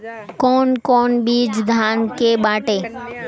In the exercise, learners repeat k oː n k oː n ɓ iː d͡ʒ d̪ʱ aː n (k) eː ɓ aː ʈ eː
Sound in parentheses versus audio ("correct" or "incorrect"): correct